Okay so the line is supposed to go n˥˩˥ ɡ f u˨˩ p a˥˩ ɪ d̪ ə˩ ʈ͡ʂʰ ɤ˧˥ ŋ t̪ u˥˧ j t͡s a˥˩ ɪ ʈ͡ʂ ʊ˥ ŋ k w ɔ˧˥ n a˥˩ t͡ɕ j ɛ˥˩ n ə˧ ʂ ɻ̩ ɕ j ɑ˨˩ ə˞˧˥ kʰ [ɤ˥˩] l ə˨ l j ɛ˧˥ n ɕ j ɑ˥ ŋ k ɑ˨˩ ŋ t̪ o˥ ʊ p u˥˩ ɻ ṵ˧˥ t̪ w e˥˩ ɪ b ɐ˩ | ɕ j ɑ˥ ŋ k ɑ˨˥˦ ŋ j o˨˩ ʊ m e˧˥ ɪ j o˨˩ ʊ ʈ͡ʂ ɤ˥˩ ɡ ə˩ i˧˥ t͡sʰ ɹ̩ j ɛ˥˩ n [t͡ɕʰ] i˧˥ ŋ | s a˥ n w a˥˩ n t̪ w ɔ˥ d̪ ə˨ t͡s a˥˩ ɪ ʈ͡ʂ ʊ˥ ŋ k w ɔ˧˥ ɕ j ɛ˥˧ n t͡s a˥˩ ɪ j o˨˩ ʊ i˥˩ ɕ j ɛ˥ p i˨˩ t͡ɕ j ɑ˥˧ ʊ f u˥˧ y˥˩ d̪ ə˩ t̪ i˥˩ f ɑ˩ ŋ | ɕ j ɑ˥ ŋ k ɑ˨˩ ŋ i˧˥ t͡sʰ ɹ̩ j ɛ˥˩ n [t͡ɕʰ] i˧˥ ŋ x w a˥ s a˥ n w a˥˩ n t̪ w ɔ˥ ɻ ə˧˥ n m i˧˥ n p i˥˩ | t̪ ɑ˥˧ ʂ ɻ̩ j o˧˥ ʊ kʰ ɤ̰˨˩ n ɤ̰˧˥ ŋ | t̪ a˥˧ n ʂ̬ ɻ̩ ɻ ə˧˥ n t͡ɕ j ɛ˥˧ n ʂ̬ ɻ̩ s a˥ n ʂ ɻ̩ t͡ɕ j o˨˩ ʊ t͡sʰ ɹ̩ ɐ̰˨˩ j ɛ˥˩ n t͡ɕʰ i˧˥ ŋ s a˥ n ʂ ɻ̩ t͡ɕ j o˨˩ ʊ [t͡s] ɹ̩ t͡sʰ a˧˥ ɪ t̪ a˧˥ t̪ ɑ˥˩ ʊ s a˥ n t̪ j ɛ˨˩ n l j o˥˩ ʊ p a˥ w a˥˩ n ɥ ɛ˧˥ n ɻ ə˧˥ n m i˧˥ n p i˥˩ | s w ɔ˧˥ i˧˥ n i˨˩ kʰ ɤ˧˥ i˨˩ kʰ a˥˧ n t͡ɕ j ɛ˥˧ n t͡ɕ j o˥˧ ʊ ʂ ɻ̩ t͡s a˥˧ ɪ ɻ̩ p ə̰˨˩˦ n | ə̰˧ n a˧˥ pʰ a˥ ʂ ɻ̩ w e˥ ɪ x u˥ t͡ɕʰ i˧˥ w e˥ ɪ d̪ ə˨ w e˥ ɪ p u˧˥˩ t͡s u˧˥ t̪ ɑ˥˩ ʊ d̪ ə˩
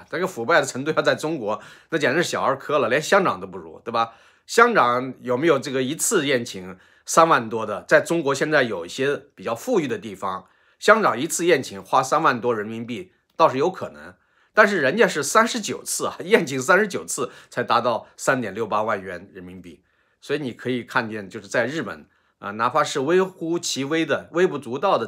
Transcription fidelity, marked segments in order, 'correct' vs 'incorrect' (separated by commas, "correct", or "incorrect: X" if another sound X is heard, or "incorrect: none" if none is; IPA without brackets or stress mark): incorrect: ɤ˥, correct, correct, incorrect: t͡sʰ